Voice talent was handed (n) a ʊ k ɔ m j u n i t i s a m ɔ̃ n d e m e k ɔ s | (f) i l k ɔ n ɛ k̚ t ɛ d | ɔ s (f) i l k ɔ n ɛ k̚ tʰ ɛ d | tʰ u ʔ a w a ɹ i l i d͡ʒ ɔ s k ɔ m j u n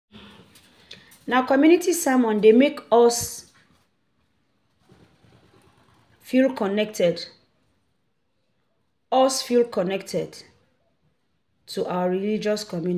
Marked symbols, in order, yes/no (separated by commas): yes, yes, yes